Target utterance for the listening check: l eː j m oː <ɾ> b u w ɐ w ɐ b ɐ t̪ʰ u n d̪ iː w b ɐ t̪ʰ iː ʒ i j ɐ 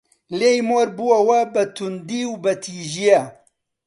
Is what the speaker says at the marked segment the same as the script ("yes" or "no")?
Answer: yes